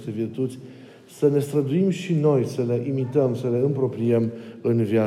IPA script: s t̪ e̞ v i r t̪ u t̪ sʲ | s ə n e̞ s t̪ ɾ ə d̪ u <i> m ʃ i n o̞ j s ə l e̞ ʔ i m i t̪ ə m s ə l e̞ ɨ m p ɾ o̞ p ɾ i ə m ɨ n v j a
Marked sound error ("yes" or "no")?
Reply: no